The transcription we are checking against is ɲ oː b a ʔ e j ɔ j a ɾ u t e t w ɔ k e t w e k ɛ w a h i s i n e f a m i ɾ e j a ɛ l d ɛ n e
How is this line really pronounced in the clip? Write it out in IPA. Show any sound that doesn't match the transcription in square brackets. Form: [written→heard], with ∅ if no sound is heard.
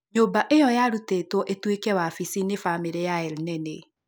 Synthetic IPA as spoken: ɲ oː b a ʔ e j ɔ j a ɾ u t e t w ɔ [k→ʔ] e t w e k ɛ w a [h→f] i s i n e f a m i ɾ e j a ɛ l [d→n] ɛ n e